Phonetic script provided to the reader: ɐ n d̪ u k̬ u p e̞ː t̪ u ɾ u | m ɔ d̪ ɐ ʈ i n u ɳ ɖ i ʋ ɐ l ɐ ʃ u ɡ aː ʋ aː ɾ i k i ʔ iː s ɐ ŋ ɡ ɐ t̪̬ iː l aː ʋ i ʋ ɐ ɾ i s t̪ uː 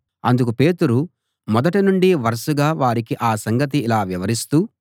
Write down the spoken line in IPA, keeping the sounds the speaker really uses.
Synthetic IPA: ɐ n d̪ u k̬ u p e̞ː t̪ u ɾ u | m ɔ d̪ ɐ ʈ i n u ɳ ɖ i ʋ ɐ ɾ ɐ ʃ u ɡ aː ʋ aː ɾ i k i ʔ aː s ɐ ŋ ɡ ɐ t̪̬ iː l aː ʋ i ʋ ɐ ɾ i s t̪ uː

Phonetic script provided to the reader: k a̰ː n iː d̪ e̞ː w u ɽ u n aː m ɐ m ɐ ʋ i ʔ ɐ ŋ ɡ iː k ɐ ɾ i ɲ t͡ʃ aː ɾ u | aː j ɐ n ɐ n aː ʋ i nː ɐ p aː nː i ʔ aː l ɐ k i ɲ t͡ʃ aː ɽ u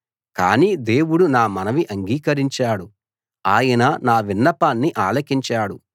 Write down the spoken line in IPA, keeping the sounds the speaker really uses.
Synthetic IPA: k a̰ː n iː d̪ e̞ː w u ɽ u n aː m ɐ n ɐ ʋ i ʔ ɐ ŋ ɡ iː k ɐ ɾ i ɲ t͡ʃ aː ɽ u | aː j ɐ n ɐ n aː ʋ i nː ɐ p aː nː i ʔ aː l ɐ k i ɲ t͡ʃ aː ɽ u

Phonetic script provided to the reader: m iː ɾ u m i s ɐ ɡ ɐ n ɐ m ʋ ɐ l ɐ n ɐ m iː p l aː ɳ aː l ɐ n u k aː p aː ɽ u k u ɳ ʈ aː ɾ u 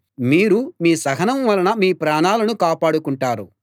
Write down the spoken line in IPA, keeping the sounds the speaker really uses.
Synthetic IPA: m iː ɾ u m iː s ɐ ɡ ɐ n ɐ m ʋ ɐ l ɐ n ɐ m iː p ɾ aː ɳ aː l ɐ n u k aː p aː ɽ u k u ɳ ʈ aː ɾ u

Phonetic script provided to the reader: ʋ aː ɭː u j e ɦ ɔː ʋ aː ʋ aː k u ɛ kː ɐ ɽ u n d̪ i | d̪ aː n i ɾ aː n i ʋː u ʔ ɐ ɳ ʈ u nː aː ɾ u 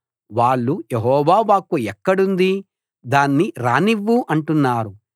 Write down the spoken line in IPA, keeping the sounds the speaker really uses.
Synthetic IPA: ʋ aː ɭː u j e ɦ ɔː ʋ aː ʋ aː k u ɛ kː ɐ ɽ u n d̪ i | d̪ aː nː i ɾ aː n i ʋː u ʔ ɐ ɳ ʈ u nː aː ɾ u

